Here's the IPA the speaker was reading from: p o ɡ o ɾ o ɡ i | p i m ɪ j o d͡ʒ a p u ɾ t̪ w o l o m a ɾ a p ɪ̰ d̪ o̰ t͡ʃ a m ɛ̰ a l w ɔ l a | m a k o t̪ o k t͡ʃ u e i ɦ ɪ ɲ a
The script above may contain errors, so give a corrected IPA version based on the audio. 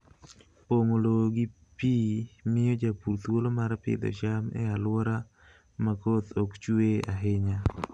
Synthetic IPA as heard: p o ŋ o l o ɡ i | p i m ɪ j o d͡ʒ a p u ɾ t̪ w o l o m a ɾ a p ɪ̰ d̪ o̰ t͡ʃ a m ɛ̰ a l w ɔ ɾ a | m a k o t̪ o k t͡ʃ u e a ɦ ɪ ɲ a